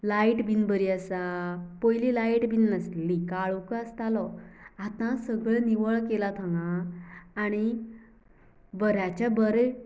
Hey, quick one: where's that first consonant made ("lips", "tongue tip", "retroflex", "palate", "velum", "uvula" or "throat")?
tongue tip